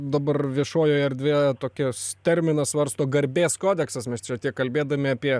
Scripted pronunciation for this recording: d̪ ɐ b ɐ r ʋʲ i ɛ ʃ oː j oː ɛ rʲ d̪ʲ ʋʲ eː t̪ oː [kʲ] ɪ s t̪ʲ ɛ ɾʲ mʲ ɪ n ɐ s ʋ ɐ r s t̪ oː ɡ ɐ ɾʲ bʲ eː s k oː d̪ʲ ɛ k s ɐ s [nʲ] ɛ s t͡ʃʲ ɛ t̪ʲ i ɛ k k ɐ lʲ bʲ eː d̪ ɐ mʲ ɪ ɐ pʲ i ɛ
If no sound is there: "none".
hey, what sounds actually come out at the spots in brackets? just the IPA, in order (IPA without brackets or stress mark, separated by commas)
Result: kʲ, mʲ